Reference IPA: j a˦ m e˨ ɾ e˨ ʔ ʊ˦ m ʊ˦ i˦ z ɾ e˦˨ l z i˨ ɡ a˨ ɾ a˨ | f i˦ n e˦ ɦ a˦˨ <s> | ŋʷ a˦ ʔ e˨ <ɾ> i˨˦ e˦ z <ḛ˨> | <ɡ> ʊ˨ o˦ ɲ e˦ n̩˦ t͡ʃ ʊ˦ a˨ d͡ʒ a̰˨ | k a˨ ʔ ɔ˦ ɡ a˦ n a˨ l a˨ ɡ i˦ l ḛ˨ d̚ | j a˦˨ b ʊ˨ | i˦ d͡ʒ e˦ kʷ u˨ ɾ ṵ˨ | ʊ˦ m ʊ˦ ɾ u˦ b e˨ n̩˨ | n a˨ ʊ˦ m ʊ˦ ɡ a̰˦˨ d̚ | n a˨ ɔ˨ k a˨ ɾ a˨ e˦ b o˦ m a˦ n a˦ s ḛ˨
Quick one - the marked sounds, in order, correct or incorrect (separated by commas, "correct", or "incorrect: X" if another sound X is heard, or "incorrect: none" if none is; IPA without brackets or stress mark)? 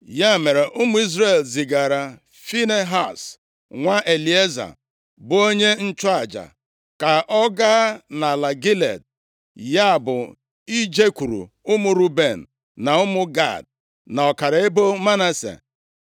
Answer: correct, incorrect: l, incorrect: a̰˨, incorrect: b